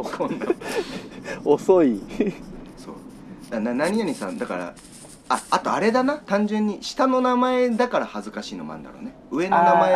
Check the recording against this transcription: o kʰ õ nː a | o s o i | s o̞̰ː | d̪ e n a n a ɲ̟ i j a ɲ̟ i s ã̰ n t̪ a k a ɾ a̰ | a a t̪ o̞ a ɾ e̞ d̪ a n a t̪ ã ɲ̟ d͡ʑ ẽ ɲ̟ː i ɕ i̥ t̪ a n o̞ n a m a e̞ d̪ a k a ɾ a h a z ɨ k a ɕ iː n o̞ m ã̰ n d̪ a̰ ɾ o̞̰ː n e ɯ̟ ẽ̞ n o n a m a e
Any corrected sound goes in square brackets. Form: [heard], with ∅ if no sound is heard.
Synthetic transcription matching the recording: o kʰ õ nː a | o s o i | s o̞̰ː | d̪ [a] n a n a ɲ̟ i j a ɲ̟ i s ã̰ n [d̪] a k a ɾ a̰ | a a t̪ o̞ a ɾ e̞ d̪ a n a t̪ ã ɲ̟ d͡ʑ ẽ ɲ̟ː i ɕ i̥ t̪ a n o̞ n a m a e̞ d̪ a k a ɾ a h a z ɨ k a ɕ iː n o̞ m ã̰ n d̪ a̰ ɾ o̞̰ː n e ɯ̟ [e̞] n o n a m a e